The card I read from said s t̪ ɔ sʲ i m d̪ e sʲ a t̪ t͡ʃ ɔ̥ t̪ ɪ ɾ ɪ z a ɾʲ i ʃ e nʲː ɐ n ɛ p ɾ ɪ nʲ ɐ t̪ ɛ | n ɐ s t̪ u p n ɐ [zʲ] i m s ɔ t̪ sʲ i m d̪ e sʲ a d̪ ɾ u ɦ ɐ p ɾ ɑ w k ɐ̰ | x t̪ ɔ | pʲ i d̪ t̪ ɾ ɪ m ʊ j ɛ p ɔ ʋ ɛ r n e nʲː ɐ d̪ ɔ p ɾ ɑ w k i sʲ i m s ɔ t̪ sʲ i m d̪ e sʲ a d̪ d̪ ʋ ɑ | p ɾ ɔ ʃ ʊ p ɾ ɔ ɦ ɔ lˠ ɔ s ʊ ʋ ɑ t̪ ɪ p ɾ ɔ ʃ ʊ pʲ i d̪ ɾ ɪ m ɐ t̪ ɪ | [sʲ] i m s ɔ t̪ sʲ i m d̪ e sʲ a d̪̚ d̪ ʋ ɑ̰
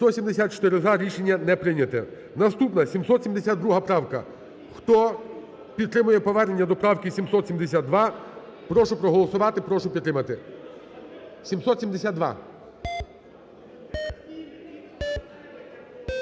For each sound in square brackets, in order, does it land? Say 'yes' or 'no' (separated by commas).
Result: no, yes